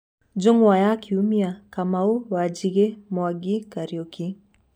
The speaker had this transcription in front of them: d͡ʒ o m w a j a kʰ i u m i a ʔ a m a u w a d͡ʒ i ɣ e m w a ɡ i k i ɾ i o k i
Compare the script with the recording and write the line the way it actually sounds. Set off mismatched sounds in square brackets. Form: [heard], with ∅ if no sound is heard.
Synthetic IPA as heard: d͡ʒ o [ŋ] w a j a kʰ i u m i a [k] a m a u w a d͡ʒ i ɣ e m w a ɡ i k [a] ɾ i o k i